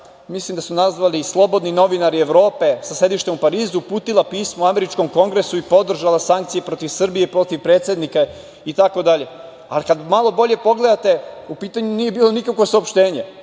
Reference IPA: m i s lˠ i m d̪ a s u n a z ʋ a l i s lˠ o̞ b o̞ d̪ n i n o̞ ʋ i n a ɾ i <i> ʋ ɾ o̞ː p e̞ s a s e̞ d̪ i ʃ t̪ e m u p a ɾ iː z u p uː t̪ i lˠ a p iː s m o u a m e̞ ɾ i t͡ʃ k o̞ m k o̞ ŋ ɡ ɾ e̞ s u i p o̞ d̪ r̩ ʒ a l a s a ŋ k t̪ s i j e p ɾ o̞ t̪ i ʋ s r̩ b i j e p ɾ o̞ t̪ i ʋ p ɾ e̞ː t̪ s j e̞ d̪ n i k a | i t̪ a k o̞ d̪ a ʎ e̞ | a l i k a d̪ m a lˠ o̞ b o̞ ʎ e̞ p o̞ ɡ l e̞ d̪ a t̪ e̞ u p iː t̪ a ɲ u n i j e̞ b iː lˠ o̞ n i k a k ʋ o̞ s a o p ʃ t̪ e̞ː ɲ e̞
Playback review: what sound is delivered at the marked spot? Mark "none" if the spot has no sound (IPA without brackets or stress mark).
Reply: e